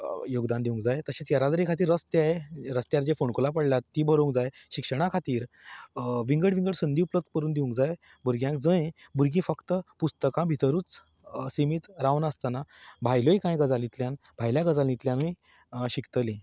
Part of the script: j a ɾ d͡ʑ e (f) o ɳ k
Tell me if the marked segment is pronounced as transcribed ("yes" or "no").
yes